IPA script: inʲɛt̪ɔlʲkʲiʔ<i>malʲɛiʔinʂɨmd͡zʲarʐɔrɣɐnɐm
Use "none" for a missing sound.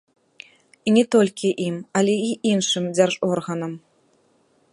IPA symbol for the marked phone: i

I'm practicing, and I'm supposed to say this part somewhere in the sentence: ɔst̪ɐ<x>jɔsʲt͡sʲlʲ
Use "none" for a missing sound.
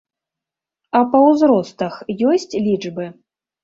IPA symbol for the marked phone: x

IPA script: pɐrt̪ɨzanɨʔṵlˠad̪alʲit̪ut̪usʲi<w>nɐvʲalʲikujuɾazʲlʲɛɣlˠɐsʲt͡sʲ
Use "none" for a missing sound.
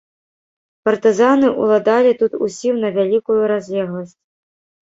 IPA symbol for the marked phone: w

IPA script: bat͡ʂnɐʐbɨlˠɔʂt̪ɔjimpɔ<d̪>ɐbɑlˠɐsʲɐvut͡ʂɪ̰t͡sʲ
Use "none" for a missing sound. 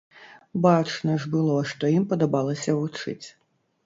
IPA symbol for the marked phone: d̪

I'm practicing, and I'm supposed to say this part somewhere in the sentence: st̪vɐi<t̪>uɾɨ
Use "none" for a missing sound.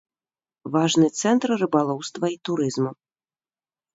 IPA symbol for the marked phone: t̪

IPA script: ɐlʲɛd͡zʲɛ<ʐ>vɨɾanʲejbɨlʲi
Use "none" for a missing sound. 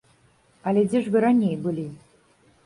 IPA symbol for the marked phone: ʐ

